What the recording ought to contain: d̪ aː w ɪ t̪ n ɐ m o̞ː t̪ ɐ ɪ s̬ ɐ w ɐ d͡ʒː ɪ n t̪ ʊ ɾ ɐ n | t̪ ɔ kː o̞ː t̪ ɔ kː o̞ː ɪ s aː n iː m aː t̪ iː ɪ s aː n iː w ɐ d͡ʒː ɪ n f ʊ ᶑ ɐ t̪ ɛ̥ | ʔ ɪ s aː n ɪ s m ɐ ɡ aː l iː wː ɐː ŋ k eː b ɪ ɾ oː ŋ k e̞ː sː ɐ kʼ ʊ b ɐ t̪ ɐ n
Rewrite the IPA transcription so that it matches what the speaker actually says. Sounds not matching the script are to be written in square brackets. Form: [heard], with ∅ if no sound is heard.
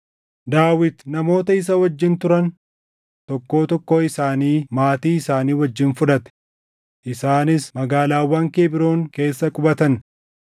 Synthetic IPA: d̪ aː w ɪ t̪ n ɐ m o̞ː t̪ ɐ ɪ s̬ ɐ w ɐ d͡ʒː ɪ n t̪ ʊ ɾ ɐ n | t̪ ɔ kː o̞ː t̪ ɔ kː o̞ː ɪ s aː n iː m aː t̪ iː ɪ s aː n iː w ɐ d͡ʒː ɪ n f ʊ ᶑ ɐ t̪ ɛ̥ | ʔ ɪ s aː n ɪ s m ɐ ɡ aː l [aː] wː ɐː ŋ k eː b ɪ ɾ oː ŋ k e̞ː sː ɐ kʼ ʊ b ɐ t̪ ɐ n